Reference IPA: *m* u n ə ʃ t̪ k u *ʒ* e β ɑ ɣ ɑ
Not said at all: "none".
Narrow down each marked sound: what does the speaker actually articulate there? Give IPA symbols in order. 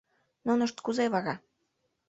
n, z

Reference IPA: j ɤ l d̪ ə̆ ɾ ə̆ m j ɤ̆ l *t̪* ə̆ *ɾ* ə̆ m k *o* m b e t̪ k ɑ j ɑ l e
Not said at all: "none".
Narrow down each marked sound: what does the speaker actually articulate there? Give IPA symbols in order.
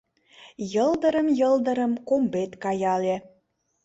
d̪, ɾ, o

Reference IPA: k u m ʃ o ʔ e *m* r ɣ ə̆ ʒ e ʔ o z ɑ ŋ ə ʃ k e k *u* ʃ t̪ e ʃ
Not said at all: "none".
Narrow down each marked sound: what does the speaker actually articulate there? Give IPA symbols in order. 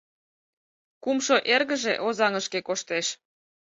none, o

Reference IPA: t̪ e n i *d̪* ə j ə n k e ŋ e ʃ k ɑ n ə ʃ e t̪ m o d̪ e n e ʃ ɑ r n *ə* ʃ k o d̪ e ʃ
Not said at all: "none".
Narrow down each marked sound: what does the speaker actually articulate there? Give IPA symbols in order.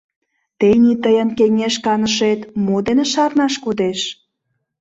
t̪, ɑ

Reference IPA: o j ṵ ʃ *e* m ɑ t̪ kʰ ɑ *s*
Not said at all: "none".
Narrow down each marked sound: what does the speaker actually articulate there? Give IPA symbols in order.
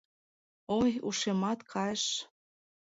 e, ʃ

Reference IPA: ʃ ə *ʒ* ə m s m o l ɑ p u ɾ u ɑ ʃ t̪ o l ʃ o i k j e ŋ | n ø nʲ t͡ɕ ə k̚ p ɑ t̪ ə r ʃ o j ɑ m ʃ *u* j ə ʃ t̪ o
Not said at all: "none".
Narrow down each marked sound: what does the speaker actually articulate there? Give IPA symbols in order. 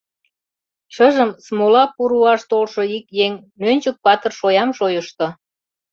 ʒ, o

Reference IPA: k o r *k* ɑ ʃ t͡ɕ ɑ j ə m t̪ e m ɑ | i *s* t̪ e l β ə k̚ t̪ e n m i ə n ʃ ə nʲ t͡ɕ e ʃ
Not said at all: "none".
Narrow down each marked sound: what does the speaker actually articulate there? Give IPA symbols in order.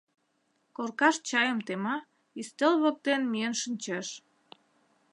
k, s

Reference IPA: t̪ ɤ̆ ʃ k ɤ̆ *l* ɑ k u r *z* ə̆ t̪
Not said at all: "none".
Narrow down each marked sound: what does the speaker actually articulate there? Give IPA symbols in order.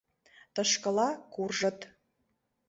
l, ʒ

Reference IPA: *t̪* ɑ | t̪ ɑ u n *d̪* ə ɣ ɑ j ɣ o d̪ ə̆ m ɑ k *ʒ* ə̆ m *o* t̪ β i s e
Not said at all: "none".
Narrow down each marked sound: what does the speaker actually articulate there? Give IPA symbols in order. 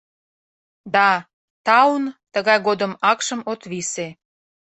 d̪, t̪, ʃ, o

